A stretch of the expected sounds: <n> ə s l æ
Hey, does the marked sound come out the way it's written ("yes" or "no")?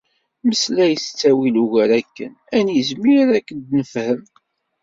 no